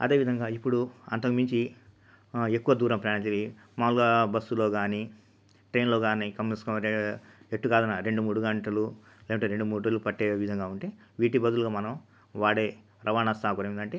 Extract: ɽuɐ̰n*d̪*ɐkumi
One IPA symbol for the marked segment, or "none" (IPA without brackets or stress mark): t̪